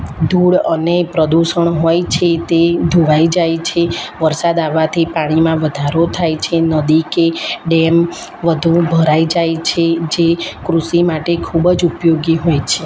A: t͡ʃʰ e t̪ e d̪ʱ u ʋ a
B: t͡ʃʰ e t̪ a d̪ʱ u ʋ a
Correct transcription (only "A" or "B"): A